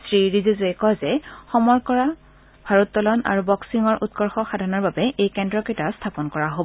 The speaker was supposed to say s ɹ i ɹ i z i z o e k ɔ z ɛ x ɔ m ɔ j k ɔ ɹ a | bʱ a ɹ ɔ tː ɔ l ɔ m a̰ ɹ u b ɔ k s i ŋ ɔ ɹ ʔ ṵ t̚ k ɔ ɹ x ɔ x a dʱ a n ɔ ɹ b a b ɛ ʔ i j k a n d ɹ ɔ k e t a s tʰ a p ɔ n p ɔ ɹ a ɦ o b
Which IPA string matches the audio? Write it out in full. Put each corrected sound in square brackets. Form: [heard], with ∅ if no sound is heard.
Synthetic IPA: s ɹ i ɹ i z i z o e k ɔ z ɛ x ɔ m ɔ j k ɔ ɹ a | bʱ a ɹ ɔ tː ɔ l ɔ [n] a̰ ɹ u b ɔ k s i ŋ ɔ ɹ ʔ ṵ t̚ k ɔ ɹ x ɔ x a dʱ a n ɔ ɹ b a b ɛ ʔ [e] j k [ɛ] n d ɹ ɔ k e t a s tʰ a p ɔ n [k] ɔ ɹ a ɦ o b